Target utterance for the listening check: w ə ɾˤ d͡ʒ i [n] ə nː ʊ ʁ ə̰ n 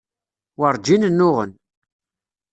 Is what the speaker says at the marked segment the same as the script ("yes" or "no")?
yes